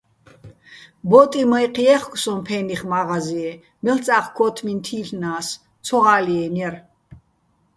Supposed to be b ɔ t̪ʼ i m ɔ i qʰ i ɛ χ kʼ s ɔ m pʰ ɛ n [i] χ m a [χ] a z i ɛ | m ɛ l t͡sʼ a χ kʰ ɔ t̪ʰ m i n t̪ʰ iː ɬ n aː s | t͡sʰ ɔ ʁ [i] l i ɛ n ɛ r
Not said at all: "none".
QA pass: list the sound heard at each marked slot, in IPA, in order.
i, ʁ, a

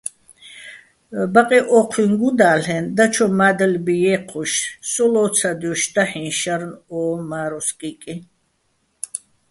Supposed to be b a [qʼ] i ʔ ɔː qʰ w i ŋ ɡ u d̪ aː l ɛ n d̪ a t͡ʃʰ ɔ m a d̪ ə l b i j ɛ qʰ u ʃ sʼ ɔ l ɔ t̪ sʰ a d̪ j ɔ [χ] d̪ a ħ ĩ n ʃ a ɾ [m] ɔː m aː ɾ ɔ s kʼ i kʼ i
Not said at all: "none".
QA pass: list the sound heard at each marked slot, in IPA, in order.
qʼ, ʃ, n

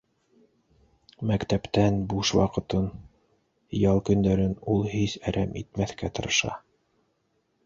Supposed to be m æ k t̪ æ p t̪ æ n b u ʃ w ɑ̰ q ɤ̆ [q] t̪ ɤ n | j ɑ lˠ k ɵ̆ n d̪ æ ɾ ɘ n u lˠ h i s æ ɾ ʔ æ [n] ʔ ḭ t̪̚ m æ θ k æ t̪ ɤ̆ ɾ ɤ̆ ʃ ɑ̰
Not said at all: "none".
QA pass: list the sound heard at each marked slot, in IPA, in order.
none, m

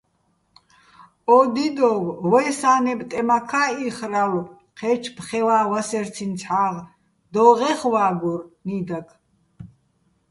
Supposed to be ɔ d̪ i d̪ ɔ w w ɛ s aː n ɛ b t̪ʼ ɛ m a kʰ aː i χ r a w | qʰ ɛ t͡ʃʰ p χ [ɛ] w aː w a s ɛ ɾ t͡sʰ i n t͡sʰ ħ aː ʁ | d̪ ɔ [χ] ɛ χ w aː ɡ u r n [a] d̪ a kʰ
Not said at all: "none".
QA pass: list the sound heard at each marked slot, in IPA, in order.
ɛ, ʁ, i

